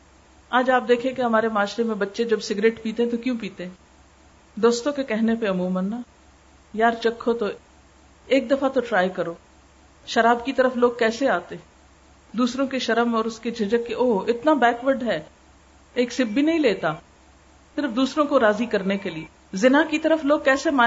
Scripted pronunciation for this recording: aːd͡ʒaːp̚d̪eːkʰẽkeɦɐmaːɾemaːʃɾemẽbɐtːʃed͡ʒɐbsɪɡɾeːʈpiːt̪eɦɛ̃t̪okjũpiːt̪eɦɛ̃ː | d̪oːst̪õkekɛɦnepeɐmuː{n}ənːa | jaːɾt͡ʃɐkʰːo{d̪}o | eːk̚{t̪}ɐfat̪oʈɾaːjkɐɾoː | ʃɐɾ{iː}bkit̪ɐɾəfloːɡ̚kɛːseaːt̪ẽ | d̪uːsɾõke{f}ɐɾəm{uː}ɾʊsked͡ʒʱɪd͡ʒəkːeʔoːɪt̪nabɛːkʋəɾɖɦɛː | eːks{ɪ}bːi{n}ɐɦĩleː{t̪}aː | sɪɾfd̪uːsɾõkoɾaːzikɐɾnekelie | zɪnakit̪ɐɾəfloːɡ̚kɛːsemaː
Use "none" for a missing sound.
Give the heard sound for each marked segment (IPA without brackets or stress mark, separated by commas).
m, t̪, d̪, aː, ʃ, ɔː, ɪ, n, t̪